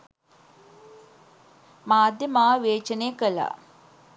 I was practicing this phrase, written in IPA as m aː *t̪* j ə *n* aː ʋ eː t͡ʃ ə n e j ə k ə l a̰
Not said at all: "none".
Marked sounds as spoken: d̪, m

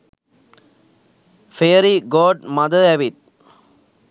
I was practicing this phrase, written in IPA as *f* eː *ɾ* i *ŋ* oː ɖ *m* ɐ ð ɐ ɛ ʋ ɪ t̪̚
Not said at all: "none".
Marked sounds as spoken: f, ɾ, ɡ, m

